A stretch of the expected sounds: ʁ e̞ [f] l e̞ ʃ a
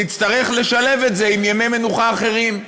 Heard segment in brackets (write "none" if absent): χ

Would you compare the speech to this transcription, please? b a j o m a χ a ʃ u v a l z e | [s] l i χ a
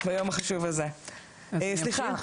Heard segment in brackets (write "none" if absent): s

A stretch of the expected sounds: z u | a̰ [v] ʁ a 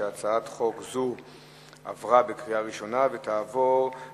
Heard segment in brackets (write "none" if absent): v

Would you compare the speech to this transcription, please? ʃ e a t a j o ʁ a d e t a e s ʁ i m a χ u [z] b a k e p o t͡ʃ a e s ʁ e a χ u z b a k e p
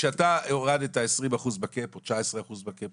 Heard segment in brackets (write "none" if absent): z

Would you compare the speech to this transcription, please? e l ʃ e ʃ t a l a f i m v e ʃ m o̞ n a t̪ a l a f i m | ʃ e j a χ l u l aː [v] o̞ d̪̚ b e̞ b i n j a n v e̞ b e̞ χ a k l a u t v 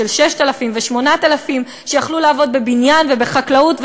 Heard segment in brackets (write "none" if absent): v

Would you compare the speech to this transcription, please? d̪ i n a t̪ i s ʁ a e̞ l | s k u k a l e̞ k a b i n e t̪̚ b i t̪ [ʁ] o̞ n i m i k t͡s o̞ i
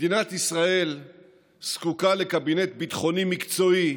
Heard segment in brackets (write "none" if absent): χ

